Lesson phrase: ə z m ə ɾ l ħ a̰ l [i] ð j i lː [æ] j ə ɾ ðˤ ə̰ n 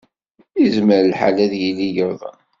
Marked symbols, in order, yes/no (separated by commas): no, no